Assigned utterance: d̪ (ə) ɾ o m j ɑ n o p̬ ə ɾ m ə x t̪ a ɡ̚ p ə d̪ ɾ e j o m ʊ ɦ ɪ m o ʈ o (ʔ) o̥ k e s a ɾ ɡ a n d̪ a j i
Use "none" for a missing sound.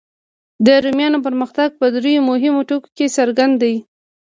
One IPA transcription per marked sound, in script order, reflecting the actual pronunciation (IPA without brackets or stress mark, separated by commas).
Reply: ə, k